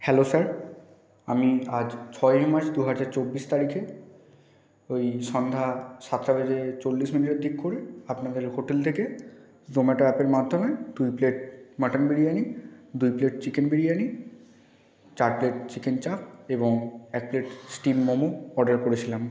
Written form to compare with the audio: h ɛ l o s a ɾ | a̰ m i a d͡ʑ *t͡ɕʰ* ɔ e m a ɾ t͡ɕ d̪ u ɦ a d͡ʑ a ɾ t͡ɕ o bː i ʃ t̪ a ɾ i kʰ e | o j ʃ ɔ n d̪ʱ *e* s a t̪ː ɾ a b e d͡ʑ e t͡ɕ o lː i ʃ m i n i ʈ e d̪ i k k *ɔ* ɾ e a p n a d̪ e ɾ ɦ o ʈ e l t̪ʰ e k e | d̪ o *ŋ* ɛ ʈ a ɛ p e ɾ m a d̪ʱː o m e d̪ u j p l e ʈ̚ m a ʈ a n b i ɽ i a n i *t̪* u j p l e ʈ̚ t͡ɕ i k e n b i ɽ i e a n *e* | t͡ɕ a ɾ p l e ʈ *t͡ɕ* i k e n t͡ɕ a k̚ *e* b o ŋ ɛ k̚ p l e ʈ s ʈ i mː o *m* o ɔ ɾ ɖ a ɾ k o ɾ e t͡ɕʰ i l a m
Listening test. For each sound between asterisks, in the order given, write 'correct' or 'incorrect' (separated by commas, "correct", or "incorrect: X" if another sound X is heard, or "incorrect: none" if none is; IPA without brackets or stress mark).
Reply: correct, incorrect: a, incorrect: o, incorrect: m, incorrect: d̪, incorrect: i, correct, correct, correct